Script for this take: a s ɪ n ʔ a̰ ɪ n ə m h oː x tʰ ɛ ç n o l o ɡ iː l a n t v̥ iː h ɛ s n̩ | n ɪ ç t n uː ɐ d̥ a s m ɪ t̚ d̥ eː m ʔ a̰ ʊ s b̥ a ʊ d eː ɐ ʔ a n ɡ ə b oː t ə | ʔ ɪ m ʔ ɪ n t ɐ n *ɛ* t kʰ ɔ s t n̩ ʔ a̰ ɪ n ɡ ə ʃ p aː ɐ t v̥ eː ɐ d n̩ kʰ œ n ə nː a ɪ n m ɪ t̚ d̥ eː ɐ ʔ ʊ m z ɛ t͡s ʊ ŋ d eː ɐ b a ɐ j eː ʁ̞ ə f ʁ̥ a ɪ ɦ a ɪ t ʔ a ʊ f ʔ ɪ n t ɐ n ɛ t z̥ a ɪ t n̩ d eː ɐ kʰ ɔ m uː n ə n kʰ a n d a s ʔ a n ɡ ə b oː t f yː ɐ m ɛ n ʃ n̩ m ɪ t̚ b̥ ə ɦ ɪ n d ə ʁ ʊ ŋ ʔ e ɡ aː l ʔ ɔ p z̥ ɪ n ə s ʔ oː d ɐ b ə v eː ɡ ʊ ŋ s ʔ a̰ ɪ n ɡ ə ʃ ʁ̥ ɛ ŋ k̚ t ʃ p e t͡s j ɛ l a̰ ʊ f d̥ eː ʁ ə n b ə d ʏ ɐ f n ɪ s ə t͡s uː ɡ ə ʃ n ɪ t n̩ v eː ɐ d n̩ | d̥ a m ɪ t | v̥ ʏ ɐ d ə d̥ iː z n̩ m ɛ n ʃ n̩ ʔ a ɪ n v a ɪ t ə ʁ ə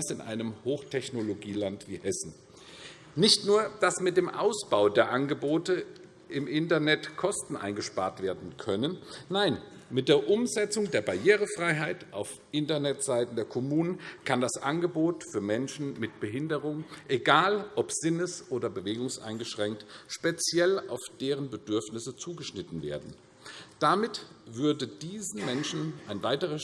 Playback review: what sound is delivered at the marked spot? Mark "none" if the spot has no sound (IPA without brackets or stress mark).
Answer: ɛ